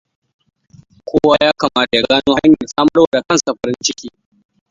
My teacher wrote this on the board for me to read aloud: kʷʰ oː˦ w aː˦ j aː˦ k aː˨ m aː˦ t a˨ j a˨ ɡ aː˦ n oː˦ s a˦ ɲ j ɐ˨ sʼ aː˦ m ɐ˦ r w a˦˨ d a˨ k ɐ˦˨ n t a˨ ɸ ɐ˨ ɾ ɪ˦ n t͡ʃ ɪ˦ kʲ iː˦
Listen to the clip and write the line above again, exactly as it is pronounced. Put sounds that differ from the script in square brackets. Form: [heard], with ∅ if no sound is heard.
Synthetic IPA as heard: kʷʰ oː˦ w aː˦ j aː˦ k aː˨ m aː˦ t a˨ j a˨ ɡ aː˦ n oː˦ [h] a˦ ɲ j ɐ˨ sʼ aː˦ m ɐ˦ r w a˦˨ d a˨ k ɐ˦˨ n [s] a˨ ɸ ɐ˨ ɾ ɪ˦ n t͡ʃ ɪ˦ kʲ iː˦